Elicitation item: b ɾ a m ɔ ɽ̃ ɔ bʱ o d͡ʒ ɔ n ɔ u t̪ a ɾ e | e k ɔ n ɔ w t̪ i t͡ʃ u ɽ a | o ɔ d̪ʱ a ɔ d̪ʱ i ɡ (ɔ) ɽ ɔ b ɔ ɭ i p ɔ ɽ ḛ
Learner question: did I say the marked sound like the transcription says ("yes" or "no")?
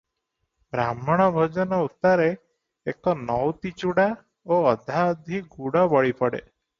no